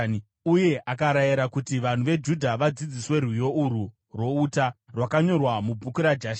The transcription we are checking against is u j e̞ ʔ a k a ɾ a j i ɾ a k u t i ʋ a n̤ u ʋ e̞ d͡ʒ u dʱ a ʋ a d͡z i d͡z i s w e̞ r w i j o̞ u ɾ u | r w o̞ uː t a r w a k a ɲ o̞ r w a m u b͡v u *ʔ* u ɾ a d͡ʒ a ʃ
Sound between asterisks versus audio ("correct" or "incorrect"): incorrect